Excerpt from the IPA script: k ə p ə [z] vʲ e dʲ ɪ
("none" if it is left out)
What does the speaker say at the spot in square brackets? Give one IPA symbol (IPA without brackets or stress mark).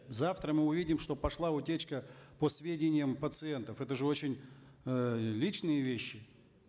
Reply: s